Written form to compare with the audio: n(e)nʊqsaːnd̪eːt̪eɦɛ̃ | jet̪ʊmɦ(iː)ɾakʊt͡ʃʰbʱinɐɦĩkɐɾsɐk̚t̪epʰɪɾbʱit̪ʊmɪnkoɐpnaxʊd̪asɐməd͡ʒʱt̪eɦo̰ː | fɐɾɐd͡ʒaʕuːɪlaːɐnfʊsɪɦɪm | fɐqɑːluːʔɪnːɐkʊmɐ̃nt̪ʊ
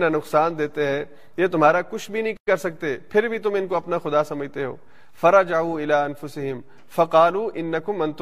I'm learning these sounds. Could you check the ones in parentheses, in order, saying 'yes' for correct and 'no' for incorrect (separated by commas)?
no, no